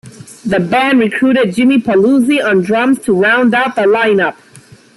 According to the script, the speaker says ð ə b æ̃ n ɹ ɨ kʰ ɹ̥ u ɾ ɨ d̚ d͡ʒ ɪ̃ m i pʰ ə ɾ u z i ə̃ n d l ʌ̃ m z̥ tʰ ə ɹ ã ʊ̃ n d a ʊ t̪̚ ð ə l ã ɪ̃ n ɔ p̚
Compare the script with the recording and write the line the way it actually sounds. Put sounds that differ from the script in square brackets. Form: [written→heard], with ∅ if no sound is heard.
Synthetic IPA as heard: ð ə b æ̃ n ɹ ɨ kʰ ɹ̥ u ɾ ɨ d̚ d͡ʒ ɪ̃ m i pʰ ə [ɾ→l] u z i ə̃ n d [l→ɹ] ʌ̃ m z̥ tʰ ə ɹ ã ʊ̃ n d a ʊ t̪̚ ð ə l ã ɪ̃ n [ɔ→ʌ] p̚